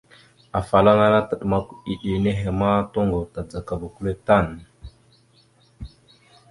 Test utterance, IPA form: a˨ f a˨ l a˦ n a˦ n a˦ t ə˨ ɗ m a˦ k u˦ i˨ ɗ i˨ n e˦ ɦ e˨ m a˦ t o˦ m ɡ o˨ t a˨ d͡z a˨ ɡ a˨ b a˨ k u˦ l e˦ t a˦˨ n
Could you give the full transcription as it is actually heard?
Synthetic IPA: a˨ f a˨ l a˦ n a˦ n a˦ t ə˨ ɗ m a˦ k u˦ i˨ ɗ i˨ n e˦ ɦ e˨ m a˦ t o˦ ŋ ɡ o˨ t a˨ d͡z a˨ k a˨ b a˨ k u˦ l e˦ t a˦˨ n